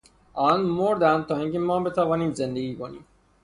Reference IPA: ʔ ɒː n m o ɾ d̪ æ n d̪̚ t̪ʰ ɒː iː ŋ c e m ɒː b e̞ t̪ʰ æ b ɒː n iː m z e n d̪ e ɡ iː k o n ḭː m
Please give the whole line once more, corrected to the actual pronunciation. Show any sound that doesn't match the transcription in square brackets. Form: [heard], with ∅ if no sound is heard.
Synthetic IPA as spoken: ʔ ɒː n m o ɾ d̪ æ n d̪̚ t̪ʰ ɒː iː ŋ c e m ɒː b e̞ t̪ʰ æ [v] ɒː n iː m z e n d̪ e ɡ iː k o n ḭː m